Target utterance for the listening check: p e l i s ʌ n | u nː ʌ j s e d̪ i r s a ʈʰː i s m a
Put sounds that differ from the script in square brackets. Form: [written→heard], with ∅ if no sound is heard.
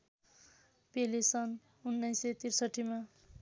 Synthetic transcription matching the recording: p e l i s ʌ n | u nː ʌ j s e [d̪→t̪] i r s [a→ʌ] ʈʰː i [s→∅] m a